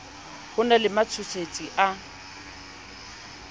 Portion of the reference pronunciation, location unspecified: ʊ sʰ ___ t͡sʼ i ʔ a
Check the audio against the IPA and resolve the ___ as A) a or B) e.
B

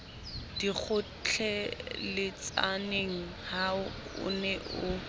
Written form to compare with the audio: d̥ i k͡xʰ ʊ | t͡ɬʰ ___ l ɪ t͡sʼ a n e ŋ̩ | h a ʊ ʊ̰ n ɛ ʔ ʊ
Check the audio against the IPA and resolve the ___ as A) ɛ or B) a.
A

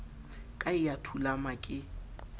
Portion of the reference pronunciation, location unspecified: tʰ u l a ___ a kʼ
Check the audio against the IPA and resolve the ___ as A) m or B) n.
A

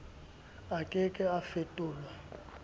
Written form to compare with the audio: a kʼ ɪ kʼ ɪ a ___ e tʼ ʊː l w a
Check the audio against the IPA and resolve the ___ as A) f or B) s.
A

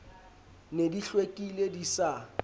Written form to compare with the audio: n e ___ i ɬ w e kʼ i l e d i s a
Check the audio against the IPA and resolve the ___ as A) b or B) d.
B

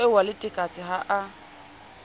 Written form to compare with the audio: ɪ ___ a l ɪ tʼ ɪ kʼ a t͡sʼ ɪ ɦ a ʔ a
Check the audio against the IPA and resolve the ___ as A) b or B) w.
B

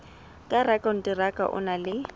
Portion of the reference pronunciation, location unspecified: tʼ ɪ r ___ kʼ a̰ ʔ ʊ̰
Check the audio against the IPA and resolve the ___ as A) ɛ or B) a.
B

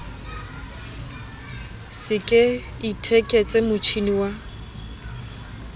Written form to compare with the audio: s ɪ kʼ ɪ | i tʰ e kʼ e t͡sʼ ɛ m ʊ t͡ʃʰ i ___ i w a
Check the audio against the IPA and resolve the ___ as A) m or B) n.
B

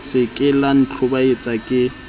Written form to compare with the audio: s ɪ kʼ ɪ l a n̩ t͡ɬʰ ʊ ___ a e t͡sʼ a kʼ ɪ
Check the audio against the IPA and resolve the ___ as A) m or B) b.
B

